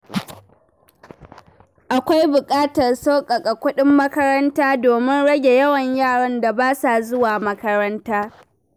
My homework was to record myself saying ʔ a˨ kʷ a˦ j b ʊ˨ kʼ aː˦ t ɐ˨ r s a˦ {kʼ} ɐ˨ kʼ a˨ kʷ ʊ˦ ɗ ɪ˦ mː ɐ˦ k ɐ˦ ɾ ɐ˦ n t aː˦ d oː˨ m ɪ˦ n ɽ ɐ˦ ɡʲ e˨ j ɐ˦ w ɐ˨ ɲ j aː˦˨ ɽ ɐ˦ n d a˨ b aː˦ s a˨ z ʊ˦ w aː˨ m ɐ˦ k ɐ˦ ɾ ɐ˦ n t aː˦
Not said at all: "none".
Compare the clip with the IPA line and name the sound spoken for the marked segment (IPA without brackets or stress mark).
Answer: kʼ